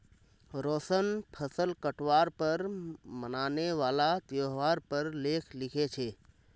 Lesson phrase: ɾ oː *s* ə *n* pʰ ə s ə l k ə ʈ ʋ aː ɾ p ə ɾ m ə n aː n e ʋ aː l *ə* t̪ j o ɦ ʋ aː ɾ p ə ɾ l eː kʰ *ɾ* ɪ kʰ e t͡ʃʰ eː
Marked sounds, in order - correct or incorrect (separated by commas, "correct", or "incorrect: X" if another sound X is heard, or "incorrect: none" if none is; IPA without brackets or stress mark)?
correct, correct, incorrect: a, incorrect: l